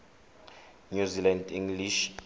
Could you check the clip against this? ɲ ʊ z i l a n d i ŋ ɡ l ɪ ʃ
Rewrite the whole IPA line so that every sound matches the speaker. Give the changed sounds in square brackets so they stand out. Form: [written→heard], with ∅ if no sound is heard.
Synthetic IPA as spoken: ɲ [ʊ→u] z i l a n d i ŋ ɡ l [ɪ→i] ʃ